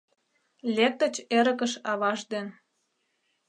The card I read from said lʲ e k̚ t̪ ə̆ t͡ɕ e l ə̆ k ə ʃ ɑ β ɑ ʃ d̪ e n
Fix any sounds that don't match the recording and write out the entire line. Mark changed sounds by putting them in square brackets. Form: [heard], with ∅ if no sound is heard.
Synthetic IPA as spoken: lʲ e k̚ t̪ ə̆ t͡ɕ e [ɾ] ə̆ k ə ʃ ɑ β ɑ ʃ d̪ e n